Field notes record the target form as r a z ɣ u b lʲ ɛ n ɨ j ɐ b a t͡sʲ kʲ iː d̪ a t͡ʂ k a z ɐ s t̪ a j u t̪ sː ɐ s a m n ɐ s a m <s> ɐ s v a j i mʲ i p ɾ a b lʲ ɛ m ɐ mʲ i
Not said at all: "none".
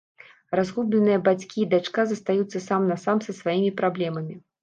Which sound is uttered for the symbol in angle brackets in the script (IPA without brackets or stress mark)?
s